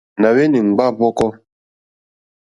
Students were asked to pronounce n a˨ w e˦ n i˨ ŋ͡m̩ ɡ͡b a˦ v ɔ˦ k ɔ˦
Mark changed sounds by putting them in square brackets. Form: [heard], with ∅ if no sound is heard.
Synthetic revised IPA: n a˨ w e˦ n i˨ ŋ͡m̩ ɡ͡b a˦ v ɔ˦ k ɔ˦